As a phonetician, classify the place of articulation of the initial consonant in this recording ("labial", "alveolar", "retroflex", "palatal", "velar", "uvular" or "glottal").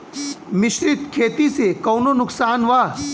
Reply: labial